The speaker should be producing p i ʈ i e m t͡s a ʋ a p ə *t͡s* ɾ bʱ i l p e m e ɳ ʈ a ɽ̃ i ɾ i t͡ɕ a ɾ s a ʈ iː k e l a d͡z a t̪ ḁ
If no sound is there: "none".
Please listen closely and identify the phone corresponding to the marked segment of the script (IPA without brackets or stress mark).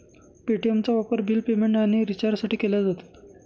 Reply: none